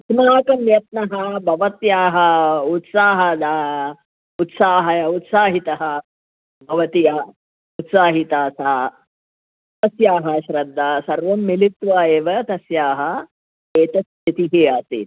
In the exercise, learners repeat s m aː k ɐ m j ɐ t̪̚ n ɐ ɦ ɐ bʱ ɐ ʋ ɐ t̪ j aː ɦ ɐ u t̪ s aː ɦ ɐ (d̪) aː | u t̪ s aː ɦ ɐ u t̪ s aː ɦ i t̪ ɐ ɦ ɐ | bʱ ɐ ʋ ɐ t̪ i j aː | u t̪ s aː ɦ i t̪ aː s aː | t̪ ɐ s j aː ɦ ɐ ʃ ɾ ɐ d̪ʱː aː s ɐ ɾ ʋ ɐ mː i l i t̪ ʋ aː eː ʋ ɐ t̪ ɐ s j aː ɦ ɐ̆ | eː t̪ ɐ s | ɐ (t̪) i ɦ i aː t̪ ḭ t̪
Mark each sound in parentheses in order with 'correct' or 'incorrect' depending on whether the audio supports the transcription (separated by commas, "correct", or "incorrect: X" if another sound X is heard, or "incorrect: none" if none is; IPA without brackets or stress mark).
correct, correct